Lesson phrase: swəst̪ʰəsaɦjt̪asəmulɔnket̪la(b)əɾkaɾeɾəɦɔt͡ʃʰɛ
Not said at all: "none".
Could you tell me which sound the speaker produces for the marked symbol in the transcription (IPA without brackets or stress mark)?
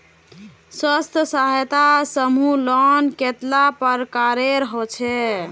p